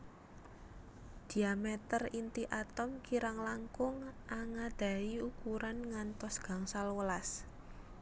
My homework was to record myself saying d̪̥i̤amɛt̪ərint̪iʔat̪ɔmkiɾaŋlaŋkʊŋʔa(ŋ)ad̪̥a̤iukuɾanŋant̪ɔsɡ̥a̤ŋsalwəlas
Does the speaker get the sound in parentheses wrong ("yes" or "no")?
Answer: no